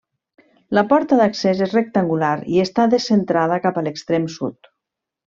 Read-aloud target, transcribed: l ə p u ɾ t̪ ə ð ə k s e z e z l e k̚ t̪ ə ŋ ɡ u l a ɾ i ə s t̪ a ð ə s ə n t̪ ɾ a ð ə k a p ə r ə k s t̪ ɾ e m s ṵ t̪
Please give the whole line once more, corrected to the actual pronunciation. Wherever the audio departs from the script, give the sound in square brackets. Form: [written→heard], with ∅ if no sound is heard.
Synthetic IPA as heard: l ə p [u→ɔ] ɾ t̪ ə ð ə k s e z e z [l→r] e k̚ t̪ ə ŋ ɡ u l a ɾ i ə s t̪ a ð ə s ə n t̪ ɾ a ð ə k a p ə [r→l] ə k s t̪ ɾ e m s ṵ t̪